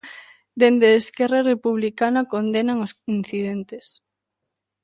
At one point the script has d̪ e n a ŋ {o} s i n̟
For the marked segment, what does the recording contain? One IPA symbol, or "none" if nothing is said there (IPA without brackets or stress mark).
o